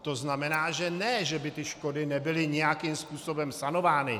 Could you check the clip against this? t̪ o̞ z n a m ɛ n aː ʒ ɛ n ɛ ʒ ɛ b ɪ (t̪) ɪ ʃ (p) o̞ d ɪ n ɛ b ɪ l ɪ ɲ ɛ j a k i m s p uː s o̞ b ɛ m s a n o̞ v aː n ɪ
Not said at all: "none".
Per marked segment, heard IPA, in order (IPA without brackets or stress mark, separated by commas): t̪, k